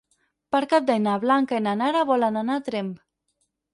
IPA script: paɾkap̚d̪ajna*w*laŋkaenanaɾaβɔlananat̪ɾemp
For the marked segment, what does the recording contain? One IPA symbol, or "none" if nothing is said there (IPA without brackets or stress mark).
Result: β